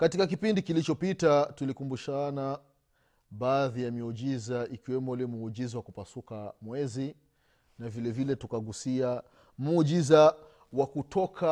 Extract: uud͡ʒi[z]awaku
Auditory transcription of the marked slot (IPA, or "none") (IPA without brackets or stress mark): z